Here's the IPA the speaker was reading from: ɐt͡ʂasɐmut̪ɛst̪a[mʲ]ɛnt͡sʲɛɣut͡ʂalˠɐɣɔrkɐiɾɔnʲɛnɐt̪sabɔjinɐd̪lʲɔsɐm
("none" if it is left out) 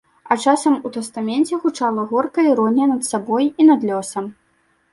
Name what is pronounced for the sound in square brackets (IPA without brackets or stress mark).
mʲ